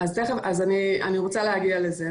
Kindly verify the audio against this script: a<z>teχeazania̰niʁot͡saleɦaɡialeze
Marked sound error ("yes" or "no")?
no